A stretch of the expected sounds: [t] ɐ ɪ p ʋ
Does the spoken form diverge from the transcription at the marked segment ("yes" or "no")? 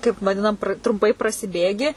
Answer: yes